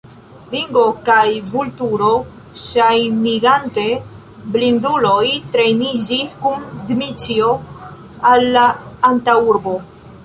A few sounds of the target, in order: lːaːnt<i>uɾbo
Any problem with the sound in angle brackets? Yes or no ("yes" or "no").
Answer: yes